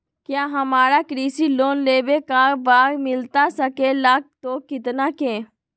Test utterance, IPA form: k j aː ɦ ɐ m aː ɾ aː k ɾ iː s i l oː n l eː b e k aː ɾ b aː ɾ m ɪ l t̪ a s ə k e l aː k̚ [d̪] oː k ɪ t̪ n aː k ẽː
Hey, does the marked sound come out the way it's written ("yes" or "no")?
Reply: no